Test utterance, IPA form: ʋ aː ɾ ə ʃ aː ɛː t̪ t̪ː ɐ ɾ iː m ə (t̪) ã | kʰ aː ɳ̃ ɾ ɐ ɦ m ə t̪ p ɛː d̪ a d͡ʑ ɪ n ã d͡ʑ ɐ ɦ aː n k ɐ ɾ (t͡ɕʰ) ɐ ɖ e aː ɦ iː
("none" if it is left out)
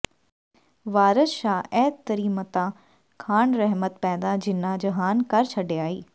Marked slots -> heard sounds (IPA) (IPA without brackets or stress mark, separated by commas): t̪, t͡ɕʰ